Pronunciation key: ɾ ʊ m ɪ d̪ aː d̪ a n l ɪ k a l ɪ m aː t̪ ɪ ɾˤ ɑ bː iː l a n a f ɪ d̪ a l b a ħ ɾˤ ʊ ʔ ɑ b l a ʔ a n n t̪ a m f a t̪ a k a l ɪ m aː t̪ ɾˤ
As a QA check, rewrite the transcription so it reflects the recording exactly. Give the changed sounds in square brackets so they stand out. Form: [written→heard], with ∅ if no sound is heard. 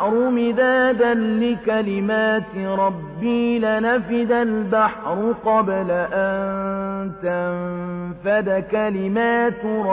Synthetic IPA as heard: ɾ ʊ m ɪ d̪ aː d̪ a n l ɪ k a l ɪ m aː t̪ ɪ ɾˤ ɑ bː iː l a n a f ɪ d̪ a l b a ħ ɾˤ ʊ [ʔ→q] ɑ b l a ʔ a n n t̪ a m f a [t̪→d̪] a k a l ɪ m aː t̪ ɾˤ